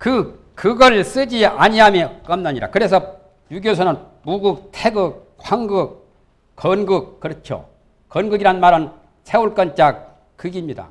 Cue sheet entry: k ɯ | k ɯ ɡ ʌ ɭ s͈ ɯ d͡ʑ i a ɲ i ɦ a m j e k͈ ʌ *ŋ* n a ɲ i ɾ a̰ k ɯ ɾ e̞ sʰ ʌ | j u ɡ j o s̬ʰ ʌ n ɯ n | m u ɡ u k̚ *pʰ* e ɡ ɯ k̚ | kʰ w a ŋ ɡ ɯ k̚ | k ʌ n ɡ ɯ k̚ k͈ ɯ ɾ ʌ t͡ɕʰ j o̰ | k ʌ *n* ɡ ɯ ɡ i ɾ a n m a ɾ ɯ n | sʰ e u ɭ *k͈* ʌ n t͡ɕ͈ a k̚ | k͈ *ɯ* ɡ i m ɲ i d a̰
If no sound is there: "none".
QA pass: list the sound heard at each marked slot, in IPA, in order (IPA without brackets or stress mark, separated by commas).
m, tʰ, n, k͈, ɯ